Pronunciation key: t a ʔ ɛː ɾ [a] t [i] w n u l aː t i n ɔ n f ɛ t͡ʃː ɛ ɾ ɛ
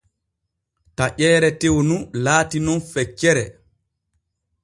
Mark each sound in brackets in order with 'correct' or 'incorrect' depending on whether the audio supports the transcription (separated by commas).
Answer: incorrect, incorrect